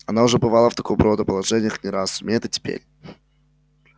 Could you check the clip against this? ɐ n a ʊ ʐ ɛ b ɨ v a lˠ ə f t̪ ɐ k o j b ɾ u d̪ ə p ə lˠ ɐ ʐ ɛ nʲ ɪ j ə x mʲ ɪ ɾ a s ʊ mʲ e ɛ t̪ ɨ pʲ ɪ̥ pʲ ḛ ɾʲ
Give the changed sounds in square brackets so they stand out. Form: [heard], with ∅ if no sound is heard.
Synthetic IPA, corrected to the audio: ɐ n a ʊ ʐ ɛ b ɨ v a lˠ ə f t̪ ɐ k o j b ɾ [o] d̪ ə p ə lˠ ɐ ʐ ɛ nʲ ɪ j ə x [nʲ] ɪ ɾ a s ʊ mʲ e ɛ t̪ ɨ [tʲ] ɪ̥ pʲ ḛ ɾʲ